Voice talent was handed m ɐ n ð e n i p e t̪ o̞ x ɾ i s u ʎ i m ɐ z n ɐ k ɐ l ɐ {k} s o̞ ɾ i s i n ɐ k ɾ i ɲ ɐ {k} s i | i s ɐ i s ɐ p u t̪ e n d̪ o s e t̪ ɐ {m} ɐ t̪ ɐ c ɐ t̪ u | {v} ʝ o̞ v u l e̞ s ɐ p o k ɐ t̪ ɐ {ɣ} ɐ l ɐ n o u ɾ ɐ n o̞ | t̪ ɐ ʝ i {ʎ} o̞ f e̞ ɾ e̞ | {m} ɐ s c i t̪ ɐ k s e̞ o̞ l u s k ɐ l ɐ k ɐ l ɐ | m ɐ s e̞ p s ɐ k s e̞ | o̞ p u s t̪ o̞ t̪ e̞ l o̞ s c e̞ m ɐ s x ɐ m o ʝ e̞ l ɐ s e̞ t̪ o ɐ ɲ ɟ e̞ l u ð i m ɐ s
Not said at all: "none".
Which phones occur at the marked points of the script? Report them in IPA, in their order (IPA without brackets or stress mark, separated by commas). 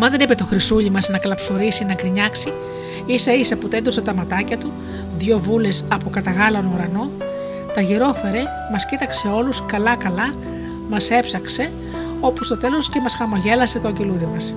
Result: p, k, m, ð, ɣ, ɾ, m